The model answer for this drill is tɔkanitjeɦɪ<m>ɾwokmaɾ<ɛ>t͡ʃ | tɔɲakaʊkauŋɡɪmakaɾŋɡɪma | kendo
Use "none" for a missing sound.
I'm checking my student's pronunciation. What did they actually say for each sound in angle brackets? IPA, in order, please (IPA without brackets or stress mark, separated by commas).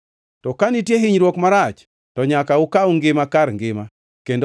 ɲ, a